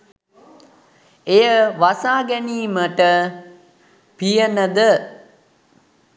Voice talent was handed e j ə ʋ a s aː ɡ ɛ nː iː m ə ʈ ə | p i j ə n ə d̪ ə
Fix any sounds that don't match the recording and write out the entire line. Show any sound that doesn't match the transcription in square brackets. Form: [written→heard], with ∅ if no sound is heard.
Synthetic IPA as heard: e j ə ʋ a s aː ɡ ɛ [nː→n] iː m ə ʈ ə | p i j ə n ə d̪ ə